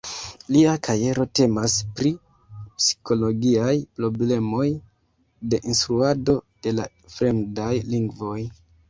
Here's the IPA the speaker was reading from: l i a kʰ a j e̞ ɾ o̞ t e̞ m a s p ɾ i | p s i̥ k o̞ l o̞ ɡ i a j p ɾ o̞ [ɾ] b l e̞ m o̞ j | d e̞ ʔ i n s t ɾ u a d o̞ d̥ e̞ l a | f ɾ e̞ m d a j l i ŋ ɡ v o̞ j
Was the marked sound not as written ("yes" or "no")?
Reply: yes